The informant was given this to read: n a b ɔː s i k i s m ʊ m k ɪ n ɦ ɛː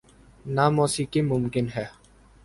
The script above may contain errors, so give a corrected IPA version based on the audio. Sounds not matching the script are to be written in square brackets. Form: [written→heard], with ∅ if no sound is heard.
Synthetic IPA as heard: n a [b→m] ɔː s i k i [s→∅] m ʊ m k ɪ n ɦ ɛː